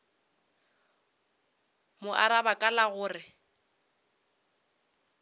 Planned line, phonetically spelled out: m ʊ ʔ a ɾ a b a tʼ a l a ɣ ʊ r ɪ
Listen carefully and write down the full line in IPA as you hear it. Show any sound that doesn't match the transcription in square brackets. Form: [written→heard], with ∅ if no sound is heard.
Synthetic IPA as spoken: m ʊ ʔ a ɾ a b a [tʼ→kʼ] a l a ɣ [ʊ→ʊː] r ɪ